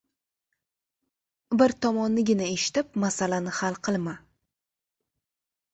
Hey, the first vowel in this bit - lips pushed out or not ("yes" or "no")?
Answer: no